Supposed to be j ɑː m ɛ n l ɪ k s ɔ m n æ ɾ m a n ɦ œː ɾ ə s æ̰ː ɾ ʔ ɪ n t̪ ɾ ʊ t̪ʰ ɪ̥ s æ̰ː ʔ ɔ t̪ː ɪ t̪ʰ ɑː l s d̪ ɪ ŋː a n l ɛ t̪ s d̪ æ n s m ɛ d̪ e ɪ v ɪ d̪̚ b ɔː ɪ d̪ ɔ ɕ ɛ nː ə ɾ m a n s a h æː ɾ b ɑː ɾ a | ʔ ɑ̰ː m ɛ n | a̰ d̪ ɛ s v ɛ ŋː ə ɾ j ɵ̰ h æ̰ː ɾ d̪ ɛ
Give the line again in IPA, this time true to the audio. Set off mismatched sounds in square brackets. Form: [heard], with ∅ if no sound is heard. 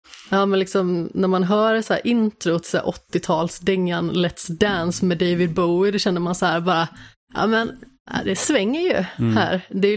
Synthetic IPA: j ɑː m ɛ n l ɪ k s ɔ m n æ ɾ m a n ɦ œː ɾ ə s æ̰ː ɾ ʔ ɪ n t̪ ɾ ʊ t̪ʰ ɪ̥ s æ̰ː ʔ ɔ t̪ː ɪ t̪ʰ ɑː l s d̪ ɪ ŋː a n l ɛ t̪ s d̪ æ n s m ɛ d̪ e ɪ v ɪ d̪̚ b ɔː ɪ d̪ ɔ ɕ ɛ nː ə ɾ m a n s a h æː ɾ b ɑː ɾ a | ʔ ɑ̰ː m ɛ n | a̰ d̪ ɛ s v ɛ ŋː ə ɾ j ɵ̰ h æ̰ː ɾ d̪ ɛ